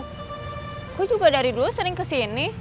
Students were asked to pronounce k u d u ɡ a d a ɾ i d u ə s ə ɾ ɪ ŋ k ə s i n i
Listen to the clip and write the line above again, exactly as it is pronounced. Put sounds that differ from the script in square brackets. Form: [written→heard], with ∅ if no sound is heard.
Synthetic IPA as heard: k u [d→d͡ʒ] u ɡ a d a ɾ i d u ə s ə ɾ ɪ ŋ k ə s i n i